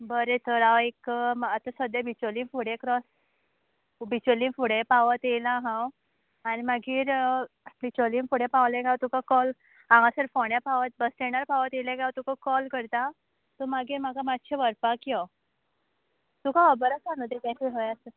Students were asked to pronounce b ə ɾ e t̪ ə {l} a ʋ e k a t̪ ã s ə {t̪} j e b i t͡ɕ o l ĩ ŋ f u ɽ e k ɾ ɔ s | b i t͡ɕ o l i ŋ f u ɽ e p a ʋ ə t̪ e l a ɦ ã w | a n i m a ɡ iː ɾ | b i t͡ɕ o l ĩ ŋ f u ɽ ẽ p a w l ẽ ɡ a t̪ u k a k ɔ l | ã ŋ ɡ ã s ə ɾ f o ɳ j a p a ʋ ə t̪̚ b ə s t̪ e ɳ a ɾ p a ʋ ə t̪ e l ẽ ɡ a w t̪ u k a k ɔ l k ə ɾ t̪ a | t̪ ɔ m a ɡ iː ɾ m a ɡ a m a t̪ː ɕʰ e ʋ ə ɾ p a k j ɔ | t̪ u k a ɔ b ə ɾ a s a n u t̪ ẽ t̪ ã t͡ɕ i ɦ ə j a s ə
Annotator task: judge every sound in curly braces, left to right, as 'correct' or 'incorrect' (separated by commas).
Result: incorrect, incorrect